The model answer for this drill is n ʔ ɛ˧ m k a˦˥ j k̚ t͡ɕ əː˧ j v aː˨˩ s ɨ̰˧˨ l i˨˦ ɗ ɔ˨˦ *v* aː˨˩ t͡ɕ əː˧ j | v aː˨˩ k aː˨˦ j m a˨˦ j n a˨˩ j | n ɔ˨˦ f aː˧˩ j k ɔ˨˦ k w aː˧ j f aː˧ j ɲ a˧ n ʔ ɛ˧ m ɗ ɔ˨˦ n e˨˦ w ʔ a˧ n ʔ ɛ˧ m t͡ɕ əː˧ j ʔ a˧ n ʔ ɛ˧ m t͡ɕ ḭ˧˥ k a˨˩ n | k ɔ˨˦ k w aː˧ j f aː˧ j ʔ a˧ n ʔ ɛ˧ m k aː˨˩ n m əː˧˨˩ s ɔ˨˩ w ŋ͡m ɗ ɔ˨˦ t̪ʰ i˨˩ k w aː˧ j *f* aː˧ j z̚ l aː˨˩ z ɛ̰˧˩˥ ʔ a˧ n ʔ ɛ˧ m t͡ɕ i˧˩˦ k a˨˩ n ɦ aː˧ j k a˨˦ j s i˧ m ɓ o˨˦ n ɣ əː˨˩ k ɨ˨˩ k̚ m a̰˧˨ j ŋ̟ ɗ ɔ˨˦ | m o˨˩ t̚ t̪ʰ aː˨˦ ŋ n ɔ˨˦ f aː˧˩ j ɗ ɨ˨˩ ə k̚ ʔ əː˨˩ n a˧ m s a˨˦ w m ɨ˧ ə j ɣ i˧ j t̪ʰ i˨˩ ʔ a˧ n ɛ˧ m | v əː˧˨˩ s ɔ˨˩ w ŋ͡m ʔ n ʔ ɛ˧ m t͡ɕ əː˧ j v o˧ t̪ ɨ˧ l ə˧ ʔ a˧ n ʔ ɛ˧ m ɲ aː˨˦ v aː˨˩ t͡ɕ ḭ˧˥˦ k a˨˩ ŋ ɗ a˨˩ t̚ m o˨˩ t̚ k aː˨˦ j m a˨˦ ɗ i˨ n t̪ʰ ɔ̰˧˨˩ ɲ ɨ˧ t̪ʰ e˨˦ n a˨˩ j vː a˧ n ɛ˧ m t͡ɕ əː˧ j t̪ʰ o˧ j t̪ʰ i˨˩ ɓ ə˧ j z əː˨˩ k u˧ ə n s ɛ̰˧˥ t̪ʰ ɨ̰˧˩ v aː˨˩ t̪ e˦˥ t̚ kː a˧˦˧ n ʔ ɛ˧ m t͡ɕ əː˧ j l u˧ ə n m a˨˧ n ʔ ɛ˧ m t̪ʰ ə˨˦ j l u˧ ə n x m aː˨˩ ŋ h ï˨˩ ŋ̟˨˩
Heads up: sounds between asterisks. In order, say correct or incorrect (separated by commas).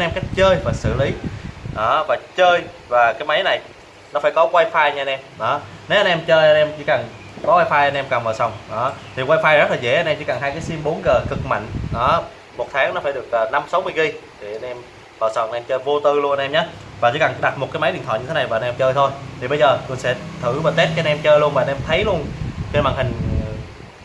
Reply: correct, correct